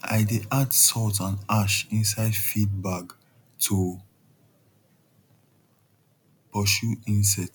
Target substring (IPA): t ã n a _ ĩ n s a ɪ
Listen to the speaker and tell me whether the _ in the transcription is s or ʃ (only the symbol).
ʃ